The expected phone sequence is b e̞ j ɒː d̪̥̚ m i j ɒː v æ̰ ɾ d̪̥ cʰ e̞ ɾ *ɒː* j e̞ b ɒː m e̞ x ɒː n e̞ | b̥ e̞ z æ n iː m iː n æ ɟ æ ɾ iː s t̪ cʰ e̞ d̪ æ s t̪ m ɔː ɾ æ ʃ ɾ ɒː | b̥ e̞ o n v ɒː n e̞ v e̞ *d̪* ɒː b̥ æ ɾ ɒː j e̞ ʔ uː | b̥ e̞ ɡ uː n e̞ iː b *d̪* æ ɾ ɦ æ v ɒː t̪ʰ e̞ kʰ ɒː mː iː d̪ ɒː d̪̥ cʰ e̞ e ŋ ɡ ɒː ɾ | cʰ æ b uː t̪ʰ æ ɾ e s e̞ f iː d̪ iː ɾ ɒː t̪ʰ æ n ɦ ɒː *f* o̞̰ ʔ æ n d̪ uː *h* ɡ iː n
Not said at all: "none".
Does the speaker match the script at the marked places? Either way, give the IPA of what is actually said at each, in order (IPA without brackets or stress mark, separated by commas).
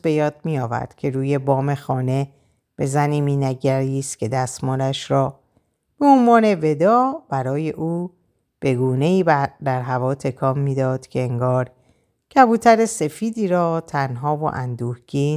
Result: uː, d̪, d̪, v, h